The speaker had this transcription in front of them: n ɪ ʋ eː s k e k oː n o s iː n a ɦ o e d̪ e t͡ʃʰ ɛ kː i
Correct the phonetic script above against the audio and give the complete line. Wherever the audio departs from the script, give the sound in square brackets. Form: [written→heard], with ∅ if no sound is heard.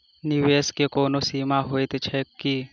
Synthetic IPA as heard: n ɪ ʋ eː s k e k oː n o s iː [n→m] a ɦ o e [d̪→t̪] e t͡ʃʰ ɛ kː i